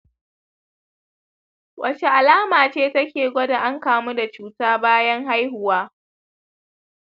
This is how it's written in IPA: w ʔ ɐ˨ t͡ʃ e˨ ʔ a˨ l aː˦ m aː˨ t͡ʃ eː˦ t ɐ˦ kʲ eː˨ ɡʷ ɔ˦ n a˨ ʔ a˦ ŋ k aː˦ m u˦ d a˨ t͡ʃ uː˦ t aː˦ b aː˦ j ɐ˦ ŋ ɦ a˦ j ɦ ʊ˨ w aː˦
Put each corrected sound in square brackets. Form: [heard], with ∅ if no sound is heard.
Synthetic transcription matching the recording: w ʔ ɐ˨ t͡ʃ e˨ ʔ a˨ l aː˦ m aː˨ t͡ʃ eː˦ t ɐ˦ kʲ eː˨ ɡʷ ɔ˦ [d] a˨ ʔ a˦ ŋ k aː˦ m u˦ d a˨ t͡ʃ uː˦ t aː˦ b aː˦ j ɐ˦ ŋ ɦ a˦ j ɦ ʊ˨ w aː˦